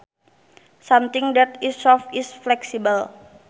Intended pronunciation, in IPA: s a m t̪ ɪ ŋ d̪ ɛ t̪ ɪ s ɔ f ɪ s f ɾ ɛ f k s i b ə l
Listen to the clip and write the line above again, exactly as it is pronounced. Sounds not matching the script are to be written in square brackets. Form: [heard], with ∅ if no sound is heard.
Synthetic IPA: s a m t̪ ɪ ŋ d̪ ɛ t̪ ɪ s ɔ f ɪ s f [l] ɛ [∅] k s i b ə l